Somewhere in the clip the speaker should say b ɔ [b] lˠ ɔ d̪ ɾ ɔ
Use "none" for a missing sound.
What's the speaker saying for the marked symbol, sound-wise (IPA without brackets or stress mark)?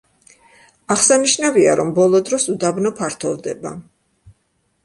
none